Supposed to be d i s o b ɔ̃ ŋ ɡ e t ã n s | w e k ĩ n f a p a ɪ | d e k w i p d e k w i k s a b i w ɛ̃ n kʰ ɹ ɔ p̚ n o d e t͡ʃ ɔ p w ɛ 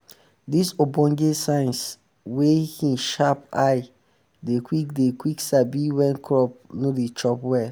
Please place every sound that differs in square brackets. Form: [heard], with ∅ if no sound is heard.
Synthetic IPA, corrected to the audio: d i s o b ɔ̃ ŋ ɡ e [s] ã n s | w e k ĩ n [ʃ] a p a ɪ | d e k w i [k] d e k w i k s a b i w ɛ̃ n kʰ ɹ ɔ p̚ n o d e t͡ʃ ɔ p w ɛ